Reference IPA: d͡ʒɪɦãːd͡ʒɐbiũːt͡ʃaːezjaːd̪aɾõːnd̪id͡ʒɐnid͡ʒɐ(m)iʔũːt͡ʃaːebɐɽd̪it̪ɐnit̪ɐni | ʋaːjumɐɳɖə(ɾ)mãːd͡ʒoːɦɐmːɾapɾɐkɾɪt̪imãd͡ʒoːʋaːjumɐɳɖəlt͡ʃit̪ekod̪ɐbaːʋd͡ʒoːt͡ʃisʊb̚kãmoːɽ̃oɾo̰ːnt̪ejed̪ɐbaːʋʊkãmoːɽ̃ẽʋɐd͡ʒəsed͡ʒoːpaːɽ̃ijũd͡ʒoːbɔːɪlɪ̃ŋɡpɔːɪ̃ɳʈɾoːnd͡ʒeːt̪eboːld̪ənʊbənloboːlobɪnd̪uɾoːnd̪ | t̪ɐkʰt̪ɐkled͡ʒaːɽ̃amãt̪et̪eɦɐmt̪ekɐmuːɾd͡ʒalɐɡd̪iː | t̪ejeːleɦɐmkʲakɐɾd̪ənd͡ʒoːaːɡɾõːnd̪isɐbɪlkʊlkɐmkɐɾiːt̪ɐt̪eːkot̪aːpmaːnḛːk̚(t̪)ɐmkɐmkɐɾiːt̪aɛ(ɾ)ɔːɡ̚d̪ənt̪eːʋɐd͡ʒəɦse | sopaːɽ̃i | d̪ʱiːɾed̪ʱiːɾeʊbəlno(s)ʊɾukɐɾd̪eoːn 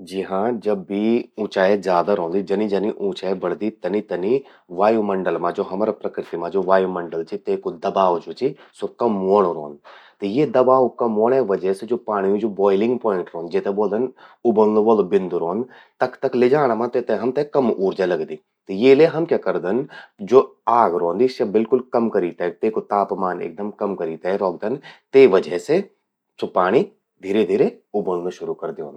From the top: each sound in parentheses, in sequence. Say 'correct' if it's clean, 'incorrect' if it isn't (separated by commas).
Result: incorrect, incorrect, incorrect, correct, incorrect